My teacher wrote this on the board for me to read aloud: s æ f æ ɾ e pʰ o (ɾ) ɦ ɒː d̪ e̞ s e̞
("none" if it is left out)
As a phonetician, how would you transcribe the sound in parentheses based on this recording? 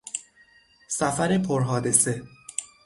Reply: ɾ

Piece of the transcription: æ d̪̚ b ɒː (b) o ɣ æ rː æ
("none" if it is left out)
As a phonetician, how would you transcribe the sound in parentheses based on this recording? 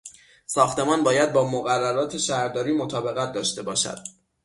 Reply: m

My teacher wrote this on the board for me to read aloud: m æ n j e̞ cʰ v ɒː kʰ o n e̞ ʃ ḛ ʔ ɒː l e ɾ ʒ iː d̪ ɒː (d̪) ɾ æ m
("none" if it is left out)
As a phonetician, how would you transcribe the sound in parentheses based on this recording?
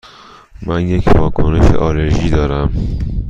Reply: none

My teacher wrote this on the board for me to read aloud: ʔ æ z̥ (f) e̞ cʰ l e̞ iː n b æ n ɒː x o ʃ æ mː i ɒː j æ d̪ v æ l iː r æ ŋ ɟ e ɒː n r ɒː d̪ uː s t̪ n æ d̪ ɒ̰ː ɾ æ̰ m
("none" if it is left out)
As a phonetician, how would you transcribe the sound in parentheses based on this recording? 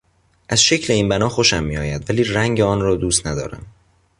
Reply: ʃ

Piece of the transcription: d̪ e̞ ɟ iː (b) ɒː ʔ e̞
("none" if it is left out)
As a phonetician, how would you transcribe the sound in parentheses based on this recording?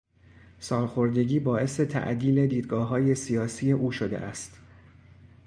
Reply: b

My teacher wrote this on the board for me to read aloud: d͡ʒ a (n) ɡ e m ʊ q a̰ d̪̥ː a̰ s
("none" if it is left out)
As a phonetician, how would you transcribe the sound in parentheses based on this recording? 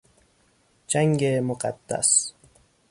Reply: ŋ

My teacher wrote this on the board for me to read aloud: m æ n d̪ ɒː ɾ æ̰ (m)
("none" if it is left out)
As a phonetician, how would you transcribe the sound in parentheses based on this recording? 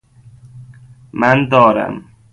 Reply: m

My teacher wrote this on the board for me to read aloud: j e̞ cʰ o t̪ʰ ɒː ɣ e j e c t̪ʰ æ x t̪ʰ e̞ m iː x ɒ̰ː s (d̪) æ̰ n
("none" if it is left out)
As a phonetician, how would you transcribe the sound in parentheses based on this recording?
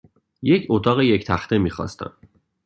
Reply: t̪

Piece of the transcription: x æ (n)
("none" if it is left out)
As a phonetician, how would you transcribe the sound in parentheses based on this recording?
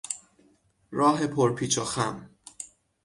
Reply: m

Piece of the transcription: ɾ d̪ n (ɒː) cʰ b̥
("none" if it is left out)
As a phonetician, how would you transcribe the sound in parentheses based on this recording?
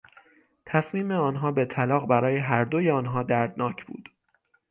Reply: ɒː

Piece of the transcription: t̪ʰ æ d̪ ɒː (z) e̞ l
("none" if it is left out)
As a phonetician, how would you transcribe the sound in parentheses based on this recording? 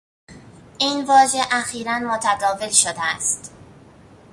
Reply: v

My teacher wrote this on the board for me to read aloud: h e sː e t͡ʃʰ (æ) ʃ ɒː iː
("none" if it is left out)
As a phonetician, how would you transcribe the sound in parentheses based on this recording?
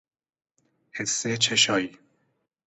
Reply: e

